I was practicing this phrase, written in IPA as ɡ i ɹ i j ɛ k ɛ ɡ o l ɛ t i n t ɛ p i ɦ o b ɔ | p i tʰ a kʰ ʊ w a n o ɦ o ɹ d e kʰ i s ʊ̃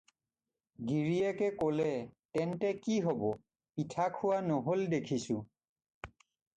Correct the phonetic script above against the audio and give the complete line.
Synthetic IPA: ɡ i ɹ i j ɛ k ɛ k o l ɛ t ɛ n t ɛ k i ɦ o b ɔ | p i tʰ a kʰ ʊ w a n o ɦ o l d e kʰ i s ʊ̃